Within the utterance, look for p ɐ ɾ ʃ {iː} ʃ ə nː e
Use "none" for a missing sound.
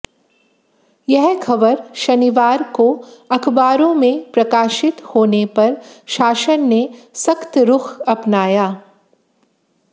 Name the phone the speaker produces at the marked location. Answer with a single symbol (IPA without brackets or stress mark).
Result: aː